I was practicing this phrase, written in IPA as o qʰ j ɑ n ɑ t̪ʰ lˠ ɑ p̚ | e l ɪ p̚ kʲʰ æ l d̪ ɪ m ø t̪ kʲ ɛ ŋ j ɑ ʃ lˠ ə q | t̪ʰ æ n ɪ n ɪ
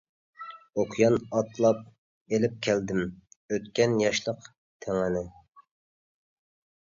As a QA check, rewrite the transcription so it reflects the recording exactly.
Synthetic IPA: o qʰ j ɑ n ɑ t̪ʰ lˠ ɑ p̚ | e l ɪ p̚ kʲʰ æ l d̪ ɪ m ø t̪ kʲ ɛ n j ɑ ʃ lˠ ə q | t̪ʰ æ ŋ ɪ n ɪ